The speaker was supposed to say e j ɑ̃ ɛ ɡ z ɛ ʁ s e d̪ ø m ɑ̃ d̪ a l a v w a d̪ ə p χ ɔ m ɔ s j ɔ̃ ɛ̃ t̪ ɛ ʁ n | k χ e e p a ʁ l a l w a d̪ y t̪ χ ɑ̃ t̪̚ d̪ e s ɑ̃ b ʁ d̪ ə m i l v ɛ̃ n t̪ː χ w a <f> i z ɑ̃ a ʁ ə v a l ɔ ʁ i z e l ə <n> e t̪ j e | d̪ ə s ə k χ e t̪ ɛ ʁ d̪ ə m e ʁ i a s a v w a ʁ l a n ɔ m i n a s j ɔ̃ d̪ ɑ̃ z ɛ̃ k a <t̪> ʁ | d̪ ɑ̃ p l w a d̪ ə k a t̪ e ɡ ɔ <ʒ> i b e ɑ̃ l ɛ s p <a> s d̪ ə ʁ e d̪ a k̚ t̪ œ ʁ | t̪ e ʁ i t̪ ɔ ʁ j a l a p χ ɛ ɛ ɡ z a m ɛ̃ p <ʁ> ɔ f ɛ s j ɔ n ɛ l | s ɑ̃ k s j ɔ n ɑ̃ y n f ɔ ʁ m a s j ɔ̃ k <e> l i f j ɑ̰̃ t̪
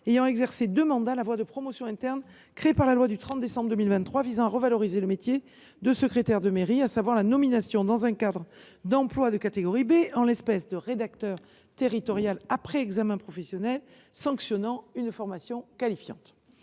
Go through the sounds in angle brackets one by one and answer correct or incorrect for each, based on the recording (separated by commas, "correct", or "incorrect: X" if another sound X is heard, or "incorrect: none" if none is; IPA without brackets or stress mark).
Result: incorrect: v, incorrect: m, incorrect: d̪, incorrect: ʁ, incorrect: ɛ, incorrect: χ, incorrect: a